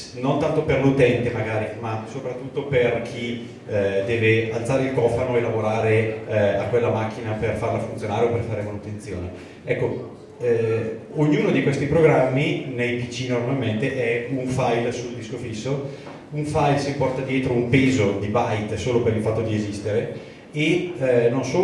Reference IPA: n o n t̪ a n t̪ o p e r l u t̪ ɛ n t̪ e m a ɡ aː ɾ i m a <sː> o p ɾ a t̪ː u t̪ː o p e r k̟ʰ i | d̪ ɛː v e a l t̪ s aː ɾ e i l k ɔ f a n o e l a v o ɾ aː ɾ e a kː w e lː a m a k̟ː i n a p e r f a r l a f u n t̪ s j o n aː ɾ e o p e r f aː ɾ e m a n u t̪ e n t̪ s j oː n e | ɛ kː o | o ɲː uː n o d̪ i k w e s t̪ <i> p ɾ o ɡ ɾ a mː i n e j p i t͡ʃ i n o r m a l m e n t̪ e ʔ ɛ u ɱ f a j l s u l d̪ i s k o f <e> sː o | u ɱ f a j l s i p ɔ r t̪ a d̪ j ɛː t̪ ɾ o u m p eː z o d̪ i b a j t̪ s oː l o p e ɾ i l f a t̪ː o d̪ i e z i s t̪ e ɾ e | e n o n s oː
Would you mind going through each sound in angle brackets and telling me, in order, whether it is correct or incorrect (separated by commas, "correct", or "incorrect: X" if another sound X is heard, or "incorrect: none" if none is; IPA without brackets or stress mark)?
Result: incorrect: s, correct, incorrect: i